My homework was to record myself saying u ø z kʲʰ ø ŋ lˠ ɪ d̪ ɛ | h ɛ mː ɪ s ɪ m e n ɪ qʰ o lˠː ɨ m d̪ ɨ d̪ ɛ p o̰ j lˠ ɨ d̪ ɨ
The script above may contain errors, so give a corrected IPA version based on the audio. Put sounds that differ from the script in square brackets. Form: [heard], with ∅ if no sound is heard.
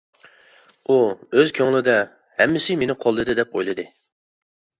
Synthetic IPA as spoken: u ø z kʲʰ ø ŋ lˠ ɪ d̪ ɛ | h ɛ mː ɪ s ɪ m e n ɪ qʰ o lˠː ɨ [∅] d̪ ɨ d̪ ɛ p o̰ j lˠ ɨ d̪ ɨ

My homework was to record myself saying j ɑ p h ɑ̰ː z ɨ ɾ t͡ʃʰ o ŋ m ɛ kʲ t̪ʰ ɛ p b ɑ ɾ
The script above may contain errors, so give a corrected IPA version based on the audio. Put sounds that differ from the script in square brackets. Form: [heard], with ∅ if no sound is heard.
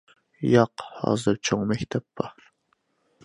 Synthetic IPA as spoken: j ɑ [q] h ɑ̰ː z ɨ ɾ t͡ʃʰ o ŋ m ɛ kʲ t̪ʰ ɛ p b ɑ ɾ

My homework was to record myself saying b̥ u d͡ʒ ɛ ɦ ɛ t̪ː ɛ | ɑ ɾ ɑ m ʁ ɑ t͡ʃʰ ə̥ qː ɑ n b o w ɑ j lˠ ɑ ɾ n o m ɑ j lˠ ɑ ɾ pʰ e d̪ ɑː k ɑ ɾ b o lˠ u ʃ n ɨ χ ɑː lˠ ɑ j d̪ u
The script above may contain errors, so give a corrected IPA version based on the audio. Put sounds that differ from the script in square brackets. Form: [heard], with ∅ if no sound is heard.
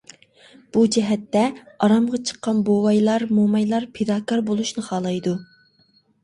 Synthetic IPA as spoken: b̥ u d͡ʒ ɛ ɦ ɛ t̪ː ɛ | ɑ ɾ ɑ m ʁ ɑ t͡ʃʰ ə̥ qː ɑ n b o w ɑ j lˠ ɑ ɾ [m] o m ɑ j lˠ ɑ ɾ pʰ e d̪ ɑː k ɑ ɾ b o lˠ u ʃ n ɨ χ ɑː lˠ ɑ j d̪ u

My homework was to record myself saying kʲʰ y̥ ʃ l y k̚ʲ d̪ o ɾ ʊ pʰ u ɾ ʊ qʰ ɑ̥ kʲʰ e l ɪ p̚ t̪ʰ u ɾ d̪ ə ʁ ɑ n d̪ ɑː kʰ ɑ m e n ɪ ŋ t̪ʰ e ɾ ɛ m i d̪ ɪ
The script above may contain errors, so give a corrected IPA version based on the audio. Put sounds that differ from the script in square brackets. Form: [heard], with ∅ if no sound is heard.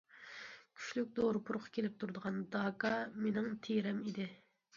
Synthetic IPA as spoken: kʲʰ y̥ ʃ l y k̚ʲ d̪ o ɾ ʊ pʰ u ɾ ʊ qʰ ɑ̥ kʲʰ e l ɪ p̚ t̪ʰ u ɾ d̪ ə ʁ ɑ n d̪ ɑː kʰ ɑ m e n ɪ ŋ t̪ʰ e ɾ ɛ m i d̪ ɪ

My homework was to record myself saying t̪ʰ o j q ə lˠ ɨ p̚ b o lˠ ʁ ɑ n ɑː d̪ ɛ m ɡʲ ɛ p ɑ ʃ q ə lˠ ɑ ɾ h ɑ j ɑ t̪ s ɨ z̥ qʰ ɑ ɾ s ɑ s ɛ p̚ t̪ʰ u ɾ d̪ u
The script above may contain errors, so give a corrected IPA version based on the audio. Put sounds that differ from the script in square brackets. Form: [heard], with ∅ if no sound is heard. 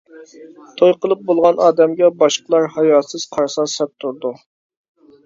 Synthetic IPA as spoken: t̪ʰ o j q ə lˠ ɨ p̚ b o lˠ ʁ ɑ n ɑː d̪ ɛ m ɡʲ ɛ [b] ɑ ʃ q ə lˠ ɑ ɾ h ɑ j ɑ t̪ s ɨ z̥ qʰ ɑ ɾ s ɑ s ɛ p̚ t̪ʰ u ɾ d̪ u

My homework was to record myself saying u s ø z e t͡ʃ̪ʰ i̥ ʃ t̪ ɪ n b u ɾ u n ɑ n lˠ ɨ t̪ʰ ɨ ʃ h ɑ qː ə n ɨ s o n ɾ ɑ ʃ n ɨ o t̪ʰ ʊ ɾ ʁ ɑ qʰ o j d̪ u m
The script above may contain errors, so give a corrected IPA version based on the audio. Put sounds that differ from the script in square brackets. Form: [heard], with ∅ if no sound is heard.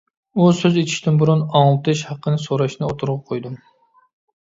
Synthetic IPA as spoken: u s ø z e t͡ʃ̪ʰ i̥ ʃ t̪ ɪ n b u ɾ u n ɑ [ŋ] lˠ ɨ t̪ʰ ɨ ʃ h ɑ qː ə n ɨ s o [∅] ɾ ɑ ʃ n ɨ o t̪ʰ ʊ ɾ ʁ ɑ qʰ o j d̪ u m

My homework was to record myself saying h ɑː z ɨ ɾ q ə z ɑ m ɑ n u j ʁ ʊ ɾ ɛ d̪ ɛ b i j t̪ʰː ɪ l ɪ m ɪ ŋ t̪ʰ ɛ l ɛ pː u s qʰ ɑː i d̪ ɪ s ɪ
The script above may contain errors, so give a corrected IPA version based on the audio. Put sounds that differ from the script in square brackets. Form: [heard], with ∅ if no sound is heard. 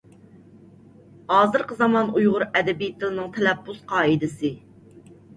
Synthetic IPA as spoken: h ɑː z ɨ ɾ q ə z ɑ m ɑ n u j ʁ ʊ ɾ ɛ d̪ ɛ b i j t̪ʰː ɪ l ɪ [n] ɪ ŋ t̪ʰ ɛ l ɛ pː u s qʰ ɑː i d̪ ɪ s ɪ

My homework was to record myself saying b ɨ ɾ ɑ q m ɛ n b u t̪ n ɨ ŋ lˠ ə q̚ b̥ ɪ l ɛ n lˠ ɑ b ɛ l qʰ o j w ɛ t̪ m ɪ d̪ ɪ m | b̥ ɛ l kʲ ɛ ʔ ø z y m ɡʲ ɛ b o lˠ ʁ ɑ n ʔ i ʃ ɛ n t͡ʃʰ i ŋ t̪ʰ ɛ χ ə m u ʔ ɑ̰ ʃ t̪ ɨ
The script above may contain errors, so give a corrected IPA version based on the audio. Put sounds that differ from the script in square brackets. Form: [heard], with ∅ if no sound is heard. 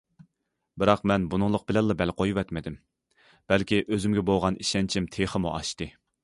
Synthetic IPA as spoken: b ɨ ɾ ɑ q m ɛ n b u [∅] n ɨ ŋ lˠ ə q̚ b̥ ɪ l ɛ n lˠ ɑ b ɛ l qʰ o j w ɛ t̪ m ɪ d̪ ɪ m | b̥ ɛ l kʲ [i] ʔ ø z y m ɡʲ ɛ b o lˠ ʁ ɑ n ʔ i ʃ ɛ n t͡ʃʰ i [m] t̪ʰ [e] χ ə m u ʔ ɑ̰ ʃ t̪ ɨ

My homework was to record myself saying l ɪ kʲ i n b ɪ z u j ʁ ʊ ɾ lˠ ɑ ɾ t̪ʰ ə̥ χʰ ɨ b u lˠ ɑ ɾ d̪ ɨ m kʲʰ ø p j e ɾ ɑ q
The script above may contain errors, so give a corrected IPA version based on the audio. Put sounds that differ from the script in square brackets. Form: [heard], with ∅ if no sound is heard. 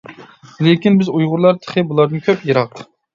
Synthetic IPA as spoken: l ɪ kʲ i n b ɪ z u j ʁ ʊ ɾ lˠ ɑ ɾ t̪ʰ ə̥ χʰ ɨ b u lˠ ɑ ɾ d̪ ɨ [n] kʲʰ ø p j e ɾ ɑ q

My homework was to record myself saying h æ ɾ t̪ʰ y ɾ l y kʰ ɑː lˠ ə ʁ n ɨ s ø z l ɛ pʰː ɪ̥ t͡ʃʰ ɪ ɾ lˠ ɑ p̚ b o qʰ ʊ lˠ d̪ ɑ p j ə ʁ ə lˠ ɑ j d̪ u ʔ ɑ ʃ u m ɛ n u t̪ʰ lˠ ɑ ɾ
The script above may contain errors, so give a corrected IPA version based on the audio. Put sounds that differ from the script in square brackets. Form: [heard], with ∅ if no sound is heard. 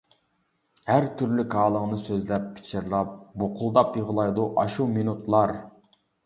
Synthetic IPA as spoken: h æ ɾ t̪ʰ y ɾ l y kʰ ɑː lˠ ə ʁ n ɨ s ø z l ɛ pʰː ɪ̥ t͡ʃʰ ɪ ɾ lˠ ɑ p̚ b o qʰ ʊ lˠ d̪ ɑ p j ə ʁ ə lˠ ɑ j d̪ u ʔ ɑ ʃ u m [i] n u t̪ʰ lˠ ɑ ɾ

